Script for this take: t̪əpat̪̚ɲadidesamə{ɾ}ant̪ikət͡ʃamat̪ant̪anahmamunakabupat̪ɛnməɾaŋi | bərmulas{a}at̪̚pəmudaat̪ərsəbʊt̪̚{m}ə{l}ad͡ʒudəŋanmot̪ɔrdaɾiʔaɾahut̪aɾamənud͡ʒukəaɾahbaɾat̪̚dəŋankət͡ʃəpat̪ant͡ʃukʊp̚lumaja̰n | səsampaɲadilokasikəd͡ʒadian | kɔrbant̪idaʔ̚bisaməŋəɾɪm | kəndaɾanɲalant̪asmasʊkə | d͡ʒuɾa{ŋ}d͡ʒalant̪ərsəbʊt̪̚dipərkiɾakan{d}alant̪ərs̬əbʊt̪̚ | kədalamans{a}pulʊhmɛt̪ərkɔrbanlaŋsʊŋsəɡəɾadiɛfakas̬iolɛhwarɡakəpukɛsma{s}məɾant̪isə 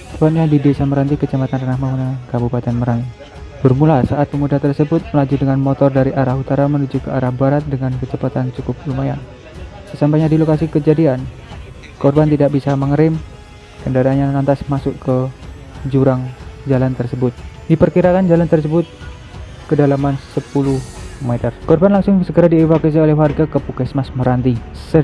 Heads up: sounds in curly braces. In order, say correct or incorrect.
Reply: correct, correct, correct, correct, correct, incorrect: d͡ʒ, incorrect: ə, correct

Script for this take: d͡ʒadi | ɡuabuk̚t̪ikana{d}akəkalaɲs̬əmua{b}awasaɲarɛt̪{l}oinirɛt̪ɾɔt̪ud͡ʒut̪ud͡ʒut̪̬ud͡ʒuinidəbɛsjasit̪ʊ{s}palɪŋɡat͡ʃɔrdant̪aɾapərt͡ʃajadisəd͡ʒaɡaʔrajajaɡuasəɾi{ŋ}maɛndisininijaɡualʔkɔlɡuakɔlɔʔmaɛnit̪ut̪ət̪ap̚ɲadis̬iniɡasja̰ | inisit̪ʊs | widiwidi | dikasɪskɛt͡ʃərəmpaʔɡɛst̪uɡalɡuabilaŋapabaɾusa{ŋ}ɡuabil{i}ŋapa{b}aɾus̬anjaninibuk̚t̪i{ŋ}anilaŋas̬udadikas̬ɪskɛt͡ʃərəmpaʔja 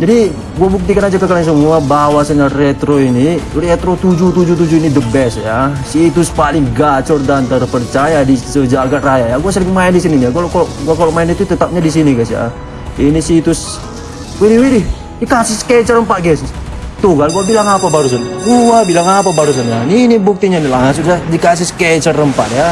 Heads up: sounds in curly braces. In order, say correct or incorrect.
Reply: incorrect: d͡ʒ, correct, incorrect: ɾ, correct, correct, incorrect: n, incorrect: a, correct, incorrect: ɲ

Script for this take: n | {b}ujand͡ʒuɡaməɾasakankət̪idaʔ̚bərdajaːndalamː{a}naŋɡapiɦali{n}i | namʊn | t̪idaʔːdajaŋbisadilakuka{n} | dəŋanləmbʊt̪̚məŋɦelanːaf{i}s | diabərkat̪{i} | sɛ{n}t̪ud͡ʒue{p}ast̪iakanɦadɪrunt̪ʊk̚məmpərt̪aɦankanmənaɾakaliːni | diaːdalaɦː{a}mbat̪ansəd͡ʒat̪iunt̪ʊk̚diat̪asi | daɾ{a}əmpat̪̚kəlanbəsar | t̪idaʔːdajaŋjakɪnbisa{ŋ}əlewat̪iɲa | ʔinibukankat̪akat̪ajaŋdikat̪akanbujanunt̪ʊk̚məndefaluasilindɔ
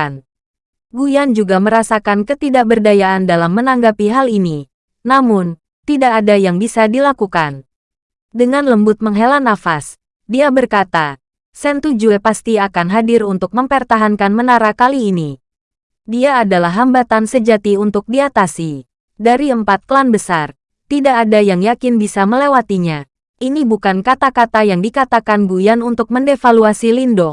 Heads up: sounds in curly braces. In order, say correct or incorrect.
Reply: incorrect: ɡ, incorrect: ə, correct, correct, incorrect: a, incorrect: a, correct, correct, correct, incorrect: i, incorrect: m

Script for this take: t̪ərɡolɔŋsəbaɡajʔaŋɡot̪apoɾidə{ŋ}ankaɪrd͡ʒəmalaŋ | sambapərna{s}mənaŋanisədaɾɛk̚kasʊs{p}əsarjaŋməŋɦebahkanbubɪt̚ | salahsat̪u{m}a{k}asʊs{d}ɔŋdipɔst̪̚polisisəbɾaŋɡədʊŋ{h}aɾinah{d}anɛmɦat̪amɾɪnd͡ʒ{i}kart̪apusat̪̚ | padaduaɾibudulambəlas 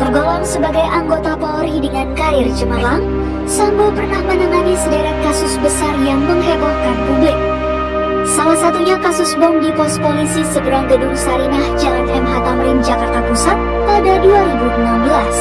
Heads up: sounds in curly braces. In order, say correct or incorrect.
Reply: correct, incorrect: h, incorrect: b, incorrect: ɲ, correct, incorrect: b, incorrect: s, incorrect: d͡ʒ, incorrect: a

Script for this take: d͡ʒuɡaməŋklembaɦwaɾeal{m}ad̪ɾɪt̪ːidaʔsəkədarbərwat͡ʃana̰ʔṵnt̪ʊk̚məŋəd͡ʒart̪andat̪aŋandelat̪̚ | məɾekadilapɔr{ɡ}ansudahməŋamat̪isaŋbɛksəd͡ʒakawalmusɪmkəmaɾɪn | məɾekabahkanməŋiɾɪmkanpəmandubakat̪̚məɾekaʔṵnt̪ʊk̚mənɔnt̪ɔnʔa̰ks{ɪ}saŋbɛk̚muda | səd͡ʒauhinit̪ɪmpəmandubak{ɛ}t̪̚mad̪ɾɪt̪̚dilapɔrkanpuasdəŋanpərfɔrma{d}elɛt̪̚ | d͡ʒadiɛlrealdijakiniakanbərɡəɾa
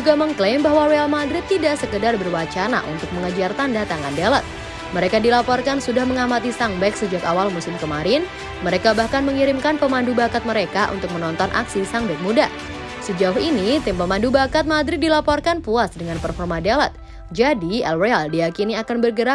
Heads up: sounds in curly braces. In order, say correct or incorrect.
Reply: correct, incorrect: k, incorrect: i, incorrect: a, correct

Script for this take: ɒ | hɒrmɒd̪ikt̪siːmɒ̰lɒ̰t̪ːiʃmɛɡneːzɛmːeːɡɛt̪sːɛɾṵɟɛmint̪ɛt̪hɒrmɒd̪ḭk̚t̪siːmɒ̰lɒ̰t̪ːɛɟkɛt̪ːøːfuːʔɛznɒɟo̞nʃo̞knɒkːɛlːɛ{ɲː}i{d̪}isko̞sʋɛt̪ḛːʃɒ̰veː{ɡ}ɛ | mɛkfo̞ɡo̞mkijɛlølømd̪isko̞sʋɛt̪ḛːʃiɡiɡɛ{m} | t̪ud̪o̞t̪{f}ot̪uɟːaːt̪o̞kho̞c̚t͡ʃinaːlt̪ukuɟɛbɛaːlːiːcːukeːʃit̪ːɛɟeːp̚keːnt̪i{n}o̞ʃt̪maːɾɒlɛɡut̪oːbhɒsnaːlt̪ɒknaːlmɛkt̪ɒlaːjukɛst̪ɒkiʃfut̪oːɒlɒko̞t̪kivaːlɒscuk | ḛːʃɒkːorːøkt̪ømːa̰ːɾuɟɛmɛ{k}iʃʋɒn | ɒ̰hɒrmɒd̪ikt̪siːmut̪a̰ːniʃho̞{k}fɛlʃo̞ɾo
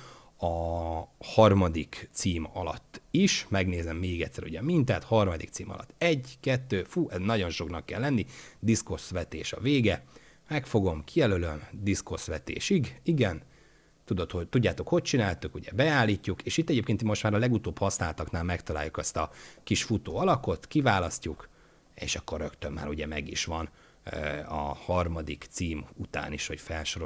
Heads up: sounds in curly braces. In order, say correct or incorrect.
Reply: incorrect: nː, correct, correct, incorrect: n, incorrect: h, incorrect: m, incorrect: ɡ, incorrect: c

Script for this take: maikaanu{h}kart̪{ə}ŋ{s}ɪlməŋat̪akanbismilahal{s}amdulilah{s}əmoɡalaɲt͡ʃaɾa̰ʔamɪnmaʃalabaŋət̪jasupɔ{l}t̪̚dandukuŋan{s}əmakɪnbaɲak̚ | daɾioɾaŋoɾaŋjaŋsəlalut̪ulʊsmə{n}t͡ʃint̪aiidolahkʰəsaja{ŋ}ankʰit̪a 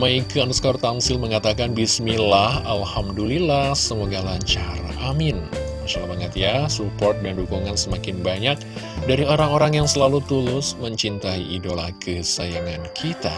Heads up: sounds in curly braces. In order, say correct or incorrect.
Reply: incorrect: s, incorrect: a, correct, incorrect: h, correct, incorrect: r, correct, incorrect: ɲ, correct

